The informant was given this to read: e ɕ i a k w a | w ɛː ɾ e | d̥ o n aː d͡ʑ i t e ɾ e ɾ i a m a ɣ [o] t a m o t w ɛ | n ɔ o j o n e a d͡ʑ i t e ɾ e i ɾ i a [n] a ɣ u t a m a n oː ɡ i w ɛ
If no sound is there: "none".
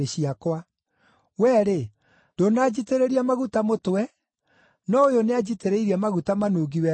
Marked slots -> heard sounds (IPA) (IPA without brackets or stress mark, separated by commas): u, m